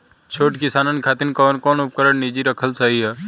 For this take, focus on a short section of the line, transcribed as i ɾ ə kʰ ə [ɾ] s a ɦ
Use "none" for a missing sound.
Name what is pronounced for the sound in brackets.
l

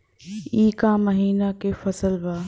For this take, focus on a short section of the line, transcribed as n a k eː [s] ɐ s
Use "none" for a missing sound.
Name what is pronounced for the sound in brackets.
f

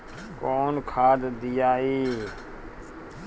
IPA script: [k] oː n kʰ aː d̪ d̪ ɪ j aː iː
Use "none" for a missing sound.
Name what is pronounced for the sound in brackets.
k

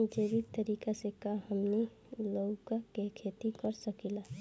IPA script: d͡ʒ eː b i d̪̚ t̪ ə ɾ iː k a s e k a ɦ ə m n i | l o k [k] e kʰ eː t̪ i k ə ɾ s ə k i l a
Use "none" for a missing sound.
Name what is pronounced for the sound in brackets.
k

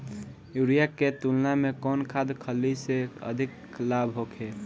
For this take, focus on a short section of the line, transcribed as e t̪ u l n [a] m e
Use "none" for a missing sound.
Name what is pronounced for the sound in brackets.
a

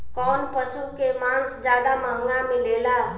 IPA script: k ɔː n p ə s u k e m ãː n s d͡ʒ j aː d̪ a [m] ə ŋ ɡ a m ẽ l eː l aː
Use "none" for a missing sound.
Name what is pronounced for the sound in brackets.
m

